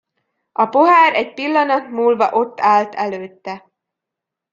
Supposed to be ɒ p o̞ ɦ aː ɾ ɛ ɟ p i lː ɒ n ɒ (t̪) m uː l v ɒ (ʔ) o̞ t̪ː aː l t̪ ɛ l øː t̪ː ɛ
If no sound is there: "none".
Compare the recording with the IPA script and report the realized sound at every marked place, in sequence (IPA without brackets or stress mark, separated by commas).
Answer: t̪, ʔ